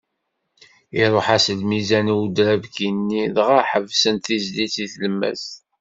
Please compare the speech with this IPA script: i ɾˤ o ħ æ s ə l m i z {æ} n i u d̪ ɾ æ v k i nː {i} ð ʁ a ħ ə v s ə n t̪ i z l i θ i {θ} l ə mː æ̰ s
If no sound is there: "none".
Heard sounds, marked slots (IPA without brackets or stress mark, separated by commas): æ, i, θ